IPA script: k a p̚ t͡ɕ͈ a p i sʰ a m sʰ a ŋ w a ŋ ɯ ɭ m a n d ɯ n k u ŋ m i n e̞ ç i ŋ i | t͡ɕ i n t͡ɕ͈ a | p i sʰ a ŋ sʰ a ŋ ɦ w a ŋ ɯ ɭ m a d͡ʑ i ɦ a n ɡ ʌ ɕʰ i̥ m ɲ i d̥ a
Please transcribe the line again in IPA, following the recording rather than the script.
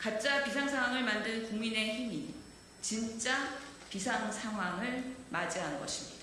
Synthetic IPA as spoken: k a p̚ t͡ɕ͈ a p i sʰ a ŋ sʰ a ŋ w a ŋ ɯ ɭ m a n d ɯ n k u ŋ m i n e̞ ç i m i | t͡ɕ i n t͡ɕ͈ a | p i sʰ a ŋ sʰ a ŋ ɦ w a ŋ ɯ ɭ m a d͡ʑ i ɦ a n ɡ ʌ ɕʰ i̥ m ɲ i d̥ a